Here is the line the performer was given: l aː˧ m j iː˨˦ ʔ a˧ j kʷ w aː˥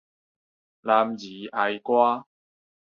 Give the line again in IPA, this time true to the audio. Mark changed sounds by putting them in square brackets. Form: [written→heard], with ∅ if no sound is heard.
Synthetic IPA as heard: l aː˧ m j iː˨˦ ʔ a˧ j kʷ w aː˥